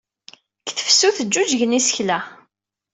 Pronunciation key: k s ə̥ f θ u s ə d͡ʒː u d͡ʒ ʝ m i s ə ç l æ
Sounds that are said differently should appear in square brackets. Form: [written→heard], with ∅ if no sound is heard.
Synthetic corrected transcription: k [s→θ] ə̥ f [θ→s] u [s→θ] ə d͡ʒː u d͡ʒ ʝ [m→n] i s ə ç l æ